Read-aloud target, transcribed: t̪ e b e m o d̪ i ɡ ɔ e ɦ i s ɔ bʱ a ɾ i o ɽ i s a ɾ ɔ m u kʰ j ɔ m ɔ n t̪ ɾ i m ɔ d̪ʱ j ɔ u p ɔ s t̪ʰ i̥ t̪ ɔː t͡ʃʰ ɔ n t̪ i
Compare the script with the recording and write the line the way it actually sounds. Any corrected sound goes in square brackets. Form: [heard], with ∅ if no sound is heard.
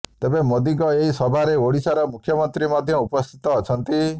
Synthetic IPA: t̪ e b e m o d̪ i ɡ ɔ e ɦ i s ɔ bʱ a ɾ [e] o ɽ i s a ɾ ɔ m u kʰ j ɔ m ɔ n t̪ ɾ i m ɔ d̪ʱ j ɔ u p ɔ s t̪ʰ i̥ t̪ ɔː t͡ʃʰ ɔ n t̪ i

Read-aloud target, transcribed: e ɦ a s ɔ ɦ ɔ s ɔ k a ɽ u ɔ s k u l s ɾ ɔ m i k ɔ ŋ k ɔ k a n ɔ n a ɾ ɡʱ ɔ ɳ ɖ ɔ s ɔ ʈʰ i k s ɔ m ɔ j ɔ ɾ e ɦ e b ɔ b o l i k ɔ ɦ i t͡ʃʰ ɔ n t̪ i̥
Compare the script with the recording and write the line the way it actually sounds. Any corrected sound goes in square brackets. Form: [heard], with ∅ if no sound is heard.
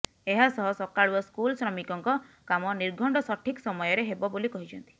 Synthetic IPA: e ɦ a s ɔ ɦ ɔ s ɔ k a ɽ u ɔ s k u l s ɾ ɔ m i k ɔ ŋ k ɔ k a [m] ɔ n [i] ɾ ɡʱ ɔ ɳ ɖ ɔ s ɔ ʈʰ i k s ɔ m ɔ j ɔ ɾ e ɦ e b ɔ b o l i k ɔ ɦ i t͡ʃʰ ɔ n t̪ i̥

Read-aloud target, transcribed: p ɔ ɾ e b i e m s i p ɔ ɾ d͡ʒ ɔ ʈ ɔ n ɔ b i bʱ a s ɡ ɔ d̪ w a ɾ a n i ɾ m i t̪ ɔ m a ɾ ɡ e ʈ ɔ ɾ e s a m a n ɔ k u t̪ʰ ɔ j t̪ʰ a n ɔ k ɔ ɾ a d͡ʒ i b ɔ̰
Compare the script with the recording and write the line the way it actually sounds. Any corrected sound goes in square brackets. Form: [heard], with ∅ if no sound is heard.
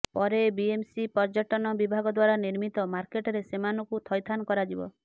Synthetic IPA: p ɔ ɾ e b i e m s i p ɔ ɾ d͡ʒ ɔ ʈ ɔ n ɔ b i bʱ a [∅] ɡ ɔ d̪ w a ɾ a n i ɾ m i t̪ ɔ m a ɾ [k] e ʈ ɔ ɾ e s [e] m a n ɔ k u t̪ʰ ɔ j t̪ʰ a n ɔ k ɔ ɾ a d͡ʒ i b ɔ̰

